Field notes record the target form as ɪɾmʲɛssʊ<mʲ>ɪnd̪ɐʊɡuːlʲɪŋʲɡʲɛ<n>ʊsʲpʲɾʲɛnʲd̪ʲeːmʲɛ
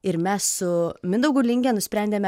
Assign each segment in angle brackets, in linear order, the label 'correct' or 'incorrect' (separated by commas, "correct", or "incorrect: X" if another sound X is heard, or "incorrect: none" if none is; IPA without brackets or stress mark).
correct, correct